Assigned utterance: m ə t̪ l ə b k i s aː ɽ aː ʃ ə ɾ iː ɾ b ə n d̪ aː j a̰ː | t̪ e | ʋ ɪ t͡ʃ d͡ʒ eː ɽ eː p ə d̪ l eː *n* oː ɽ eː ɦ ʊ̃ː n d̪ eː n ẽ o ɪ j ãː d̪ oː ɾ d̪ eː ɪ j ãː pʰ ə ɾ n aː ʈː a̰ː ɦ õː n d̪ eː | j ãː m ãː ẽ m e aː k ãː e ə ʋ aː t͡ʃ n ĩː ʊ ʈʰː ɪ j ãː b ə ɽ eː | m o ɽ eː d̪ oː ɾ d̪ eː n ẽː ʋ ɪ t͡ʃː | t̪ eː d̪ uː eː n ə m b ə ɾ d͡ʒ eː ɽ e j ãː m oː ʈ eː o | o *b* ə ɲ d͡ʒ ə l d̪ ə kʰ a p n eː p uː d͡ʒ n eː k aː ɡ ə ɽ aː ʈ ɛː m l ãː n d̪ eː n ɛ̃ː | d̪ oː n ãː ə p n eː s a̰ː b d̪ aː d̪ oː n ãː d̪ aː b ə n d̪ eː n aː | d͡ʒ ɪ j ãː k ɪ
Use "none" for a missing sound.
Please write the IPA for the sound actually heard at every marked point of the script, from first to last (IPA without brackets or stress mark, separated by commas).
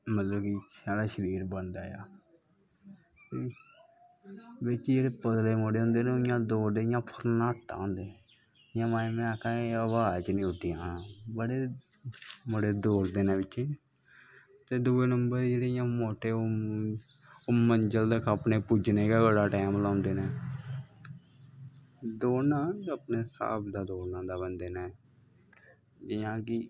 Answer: m, m